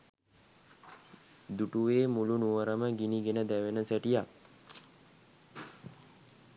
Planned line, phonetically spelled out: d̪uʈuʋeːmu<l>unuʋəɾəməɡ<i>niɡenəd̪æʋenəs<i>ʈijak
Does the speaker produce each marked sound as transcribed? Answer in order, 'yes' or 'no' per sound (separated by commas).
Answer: yes, yes, no